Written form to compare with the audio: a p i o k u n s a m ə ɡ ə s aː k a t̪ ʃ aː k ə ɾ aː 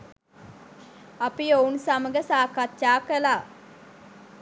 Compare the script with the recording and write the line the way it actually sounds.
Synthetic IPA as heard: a p i o u n s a m ə ɡ ə s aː k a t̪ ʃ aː k ə l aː